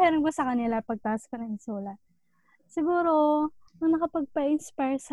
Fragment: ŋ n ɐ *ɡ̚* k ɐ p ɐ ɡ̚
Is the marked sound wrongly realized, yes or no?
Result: yes